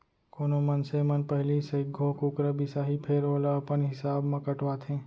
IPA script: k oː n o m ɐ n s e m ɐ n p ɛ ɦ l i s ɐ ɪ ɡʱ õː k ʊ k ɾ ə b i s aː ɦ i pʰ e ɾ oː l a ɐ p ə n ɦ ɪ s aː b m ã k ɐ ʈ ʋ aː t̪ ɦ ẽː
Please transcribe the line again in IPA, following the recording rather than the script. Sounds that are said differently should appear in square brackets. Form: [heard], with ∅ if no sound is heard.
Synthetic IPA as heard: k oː n o m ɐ n s e m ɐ n p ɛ ɦ l i s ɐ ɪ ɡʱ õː k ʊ k ɾ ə b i s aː ɦ i pʰ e ɾ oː l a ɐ p ə n ɦ ɪ s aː b m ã k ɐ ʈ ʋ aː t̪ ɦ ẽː